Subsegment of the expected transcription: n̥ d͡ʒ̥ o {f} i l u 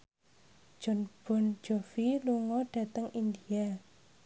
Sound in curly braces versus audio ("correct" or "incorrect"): correct